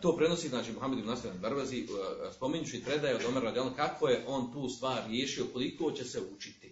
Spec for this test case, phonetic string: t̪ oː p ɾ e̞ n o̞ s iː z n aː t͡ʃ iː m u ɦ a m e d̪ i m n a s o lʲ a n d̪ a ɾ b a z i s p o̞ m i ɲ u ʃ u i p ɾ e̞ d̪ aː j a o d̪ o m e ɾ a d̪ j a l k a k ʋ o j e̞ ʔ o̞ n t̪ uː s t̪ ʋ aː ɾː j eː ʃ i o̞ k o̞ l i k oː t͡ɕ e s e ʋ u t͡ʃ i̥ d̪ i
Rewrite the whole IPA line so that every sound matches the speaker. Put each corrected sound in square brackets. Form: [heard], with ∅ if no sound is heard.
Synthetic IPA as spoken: t̪ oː p ɾ e̞ n o̞ s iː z n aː t͡ʃ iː m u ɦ a m e d̪ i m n a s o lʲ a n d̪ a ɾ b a z i s p o̞ m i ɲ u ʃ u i p ɾ e̞ d̪ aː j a o d̪ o m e ɾ a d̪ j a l k a k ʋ o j e̞ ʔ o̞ n t̪ uː s t̪ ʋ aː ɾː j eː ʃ i o̞ k o̞ l i k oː t͡ɕ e s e [∅] u t͡ʃ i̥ [t̪] i